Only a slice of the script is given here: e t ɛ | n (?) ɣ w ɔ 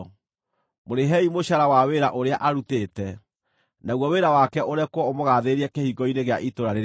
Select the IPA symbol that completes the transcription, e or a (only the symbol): a